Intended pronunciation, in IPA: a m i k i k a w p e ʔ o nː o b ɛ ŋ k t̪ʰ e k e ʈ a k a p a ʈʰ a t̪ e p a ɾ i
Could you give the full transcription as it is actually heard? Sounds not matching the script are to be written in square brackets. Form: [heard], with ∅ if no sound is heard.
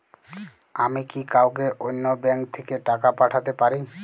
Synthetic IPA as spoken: a m i k i k a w [k] e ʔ o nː o b ɛ ŋ k t̪ʰ e k e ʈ a k a p a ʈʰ a t̪ e p a ɾ i